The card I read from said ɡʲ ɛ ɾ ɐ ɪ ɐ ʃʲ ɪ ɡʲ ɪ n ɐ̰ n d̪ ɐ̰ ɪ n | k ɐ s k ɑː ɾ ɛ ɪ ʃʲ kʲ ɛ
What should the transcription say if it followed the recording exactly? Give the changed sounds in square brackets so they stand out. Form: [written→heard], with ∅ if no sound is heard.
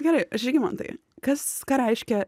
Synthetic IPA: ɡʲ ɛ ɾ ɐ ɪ ɐ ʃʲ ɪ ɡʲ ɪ [n→m] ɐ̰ n [d̪→t̪] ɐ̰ ɪ [n→∅] | k ɐ s k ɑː ɾ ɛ ɪ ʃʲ kʲ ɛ